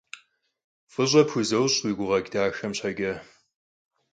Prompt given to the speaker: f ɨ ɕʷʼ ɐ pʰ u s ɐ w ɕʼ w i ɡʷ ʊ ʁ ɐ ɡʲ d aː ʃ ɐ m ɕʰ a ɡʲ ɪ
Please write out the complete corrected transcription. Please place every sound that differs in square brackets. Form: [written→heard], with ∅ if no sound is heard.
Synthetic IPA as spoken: f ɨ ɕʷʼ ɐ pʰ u [s→z] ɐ w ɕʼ w i ɡʷ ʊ ʁ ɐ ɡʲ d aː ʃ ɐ m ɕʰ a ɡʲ ɪ